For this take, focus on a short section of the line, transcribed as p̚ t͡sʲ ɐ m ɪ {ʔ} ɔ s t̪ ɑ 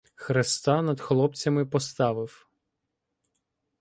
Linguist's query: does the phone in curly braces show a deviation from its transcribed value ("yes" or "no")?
yes